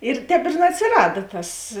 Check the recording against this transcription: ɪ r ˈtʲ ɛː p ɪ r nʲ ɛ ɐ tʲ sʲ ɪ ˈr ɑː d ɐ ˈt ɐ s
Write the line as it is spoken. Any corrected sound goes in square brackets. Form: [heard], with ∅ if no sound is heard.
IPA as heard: ɪ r ˈtʲ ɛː p ɪ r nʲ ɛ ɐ tʲ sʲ ɪ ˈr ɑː d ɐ ˈt ɐ s